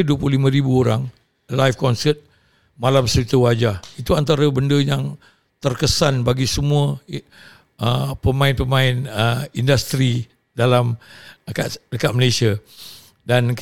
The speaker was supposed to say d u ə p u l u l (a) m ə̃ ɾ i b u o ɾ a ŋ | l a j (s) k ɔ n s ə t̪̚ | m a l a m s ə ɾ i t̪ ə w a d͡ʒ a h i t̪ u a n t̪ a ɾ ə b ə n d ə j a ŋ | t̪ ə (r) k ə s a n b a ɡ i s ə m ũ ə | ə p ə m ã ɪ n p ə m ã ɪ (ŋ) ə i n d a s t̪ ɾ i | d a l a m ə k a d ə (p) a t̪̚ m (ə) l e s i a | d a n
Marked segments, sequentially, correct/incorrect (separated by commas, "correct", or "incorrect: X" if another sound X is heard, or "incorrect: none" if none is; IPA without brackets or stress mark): incorrect: i, incorrect: f, correct, incorrect: n, incorrect: k, correct